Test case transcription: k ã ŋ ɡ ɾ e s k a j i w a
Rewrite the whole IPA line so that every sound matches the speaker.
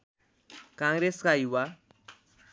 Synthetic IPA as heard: k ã ŋ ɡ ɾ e s k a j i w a